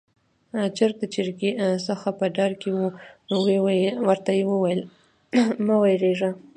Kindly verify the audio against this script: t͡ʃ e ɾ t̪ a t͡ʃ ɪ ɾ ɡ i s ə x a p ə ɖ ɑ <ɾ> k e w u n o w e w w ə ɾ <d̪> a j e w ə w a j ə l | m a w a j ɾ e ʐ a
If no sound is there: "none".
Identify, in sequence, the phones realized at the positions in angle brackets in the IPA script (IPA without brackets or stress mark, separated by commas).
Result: ɾ, t̪